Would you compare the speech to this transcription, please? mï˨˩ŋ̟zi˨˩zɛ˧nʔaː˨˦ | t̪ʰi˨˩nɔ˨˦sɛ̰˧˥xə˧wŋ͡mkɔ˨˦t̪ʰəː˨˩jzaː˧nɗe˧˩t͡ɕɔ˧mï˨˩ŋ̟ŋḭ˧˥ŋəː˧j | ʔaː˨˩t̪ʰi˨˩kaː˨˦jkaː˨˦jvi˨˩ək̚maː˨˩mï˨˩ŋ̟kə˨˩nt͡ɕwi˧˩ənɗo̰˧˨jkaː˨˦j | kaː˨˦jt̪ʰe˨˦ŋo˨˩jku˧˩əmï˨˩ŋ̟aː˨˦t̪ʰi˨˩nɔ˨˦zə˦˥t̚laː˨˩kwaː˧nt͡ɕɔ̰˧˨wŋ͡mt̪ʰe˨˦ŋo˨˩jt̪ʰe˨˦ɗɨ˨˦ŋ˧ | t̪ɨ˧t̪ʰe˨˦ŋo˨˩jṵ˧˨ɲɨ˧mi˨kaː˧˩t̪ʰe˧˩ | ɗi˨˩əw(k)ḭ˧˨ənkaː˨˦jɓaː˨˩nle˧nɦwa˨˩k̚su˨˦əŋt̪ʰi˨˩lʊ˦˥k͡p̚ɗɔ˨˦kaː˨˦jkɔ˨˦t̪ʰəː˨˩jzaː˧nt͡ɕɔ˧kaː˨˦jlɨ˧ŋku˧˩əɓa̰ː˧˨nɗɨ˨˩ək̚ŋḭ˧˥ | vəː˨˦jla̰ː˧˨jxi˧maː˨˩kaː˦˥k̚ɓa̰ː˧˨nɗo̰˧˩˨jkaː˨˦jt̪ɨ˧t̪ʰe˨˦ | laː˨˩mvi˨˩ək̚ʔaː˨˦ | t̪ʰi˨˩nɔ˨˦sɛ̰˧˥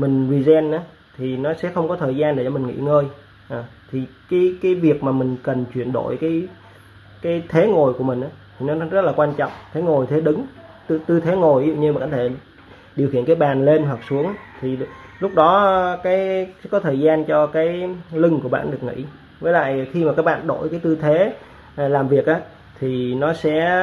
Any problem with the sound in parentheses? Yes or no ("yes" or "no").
yes